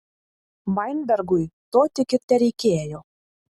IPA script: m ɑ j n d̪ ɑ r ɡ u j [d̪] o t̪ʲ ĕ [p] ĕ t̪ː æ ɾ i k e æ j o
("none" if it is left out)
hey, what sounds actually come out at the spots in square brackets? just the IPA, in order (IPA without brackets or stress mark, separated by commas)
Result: t̪, k